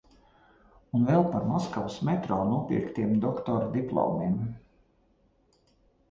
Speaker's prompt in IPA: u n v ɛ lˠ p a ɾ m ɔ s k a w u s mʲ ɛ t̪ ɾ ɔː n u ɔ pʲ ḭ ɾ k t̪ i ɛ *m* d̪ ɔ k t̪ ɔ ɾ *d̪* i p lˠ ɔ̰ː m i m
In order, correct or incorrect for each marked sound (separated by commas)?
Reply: correct, correct